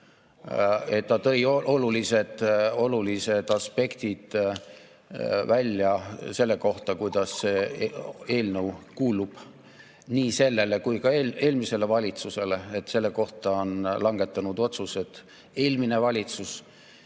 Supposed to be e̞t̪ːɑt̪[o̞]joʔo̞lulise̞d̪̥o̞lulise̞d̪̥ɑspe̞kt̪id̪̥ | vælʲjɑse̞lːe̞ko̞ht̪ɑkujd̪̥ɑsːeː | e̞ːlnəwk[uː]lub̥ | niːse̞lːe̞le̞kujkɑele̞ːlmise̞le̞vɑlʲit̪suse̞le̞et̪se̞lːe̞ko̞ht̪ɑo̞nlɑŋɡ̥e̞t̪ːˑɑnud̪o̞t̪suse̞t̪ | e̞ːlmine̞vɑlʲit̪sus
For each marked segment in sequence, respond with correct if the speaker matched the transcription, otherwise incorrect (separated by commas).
incorrect, correct